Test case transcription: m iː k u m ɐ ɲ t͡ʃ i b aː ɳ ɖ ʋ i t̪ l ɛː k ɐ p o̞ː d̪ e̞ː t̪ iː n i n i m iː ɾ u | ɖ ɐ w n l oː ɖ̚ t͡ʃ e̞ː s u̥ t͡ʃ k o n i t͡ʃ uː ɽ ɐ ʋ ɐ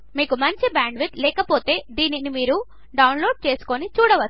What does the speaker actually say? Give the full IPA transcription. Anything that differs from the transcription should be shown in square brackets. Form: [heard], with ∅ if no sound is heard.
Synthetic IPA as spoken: m iː k u m ɐ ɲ t͡ʃ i b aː ɳ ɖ ʋ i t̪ l ɛː k ɐ p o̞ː [t̪] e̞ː [d̪] iː n i n i m iː ɾ u | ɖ ɐ w n l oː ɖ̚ t͡ʃ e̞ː s u̥ [∅] k o n i t͡ʃ uː ɽ ɐ ʋ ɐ